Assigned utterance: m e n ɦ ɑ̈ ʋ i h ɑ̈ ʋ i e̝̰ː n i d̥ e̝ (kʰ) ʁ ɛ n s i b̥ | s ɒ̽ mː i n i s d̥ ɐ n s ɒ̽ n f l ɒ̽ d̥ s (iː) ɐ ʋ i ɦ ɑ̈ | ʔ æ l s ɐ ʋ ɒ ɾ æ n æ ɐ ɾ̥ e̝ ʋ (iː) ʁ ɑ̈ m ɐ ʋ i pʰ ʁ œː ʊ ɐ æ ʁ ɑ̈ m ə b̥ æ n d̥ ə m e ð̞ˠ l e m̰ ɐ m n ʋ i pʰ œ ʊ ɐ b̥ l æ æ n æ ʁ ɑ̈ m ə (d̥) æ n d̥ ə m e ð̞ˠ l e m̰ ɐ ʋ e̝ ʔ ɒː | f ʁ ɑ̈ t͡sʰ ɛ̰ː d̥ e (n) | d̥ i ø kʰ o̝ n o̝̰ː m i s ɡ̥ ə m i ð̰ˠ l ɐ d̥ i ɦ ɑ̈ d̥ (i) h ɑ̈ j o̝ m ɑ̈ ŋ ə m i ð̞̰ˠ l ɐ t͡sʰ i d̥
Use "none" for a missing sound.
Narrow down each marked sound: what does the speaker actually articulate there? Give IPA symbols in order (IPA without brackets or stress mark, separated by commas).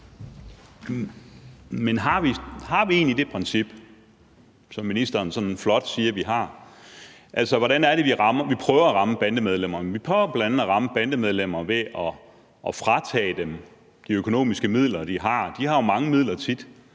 pʰ, iː, i, b̥, m, i